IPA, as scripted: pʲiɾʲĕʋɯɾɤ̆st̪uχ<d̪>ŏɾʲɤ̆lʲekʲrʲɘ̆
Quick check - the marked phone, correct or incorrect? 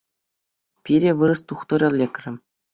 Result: incorrect